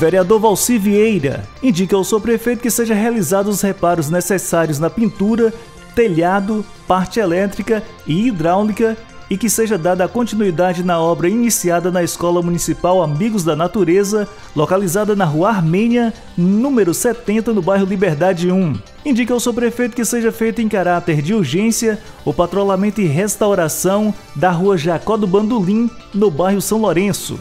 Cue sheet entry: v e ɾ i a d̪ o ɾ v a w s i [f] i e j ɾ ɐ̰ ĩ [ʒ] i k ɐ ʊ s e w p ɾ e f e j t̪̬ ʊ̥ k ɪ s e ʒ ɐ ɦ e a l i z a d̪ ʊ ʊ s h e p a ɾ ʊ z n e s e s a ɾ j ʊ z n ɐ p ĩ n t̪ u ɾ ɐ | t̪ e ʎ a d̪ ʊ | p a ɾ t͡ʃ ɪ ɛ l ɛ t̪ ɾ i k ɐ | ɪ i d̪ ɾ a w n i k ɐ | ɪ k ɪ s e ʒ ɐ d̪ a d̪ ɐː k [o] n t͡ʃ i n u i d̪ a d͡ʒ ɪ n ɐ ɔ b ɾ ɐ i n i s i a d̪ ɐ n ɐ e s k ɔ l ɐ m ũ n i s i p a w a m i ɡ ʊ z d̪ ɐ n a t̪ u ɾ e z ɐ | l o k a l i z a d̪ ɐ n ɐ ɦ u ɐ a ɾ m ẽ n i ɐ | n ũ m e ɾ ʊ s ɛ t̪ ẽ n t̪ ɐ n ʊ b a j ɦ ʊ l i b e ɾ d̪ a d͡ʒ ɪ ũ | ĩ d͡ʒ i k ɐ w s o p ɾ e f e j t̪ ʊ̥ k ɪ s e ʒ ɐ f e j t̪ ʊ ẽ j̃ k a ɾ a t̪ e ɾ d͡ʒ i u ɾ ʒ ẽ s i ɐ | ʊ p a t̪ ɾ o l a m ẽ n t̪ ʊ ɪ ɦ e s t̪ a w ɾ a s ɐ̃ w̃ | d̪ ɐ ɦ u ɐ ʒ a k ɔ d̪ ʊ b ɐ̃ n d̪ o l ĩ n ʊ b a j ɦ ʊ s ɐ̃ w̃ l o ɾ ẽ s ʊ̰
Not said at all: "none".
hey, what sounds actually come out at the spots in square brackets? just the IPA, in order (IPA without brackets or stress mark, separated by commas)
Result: v, d͡ʒ, õ